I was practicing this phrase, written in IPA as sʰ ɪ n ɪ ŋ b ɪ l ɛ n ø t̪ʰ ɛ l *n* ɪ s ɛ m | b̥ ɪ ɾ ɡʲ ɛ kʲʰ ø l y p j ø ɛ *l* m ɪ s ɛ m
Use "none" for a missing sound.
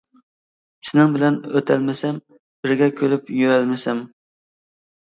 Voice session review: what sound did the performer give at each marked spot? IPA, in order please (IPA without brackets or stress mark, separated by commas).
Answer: m, l